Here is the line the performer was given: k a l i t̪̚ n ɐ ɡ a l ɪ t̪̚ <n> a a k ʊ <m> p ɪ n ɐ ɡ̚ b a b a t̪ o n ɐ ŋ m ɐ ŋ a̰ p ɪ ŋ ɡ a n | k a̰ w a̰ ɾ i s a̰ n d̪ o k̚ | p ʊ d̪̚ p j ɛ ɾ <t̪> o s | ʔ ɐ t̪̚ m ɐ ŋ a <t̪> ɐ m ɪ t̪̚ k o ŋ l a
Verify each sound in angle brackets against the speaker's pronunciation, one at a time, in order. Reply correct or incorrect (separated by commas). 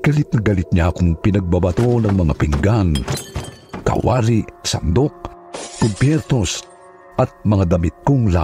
incorrect, incorrect, correct, incorrect